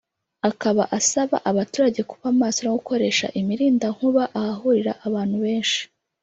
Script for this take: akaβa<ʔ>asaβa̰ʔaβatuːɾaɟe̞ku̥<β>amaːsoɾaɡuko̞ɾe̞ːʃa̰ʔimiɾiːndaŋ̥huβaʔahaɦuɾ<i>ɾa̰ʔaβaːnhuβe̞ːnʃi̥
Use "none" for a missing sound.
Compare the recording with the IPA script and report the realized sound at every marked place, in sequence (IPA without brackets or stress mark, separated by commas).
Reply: ʔ, β, i